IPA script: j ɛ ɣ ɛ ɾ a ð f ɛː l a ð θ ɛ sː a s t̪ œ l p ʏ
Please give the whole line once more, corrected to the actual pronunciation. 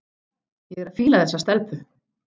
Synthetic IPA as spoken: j ɛ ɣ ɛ ɾ a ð f iː l a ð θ ɛ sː a s t̪ ɛ l p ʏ